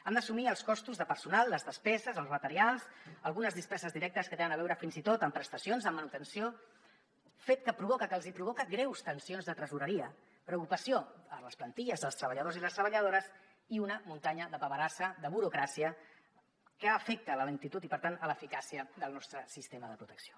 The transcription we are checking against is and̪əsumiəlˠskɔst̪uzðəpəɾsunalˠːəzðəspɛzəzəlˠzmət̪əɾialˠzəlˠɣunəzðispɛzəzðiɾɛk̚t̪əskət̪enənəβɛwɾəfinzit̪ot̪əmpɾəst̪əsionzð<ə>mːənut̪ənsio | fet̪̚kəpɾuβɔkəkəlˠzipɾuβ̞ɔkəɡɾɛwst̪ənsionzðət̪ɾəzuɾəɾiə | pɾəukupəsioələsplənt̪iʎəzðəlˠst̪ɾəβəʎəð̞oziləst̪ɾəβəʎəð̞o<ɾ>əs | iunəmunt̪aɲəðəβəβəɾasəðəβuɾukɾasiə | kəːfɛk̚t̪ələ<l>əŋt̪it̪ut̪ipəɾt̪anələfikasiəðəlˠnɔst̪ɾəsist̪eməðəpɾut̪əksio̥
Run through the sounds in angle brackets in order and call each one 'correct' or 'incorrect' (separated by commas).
correct, correct, correct